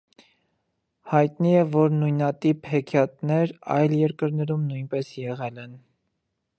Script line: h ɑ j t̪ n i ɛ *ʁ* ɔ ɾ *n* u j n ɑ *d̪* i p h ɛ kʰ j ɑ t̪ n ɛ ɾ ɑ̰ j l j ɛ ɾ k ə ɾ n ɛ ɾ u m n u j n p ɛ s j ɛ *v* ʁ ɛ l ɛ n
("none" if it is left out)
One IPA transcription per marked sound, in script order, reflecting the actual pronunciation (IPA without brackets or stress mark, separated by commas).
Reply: v, n, t̪, none